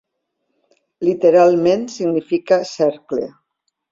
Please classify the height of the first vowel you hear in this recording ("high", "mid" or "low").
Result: high